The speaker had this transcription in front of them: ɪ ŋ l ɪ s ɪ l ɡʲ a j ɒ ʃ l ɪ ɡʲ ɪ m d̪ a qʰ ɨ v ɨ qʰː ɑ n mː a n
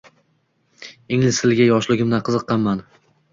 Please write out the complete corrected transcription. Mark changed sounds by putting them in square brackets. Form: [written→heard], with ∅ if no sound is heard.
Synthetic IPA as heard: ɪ ŋ l ɪ s ɪ l ɡʲ a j ɒ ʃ l ɪ ɡʲ ɪ m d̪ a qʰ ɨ [v→z] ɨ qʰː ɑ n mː a n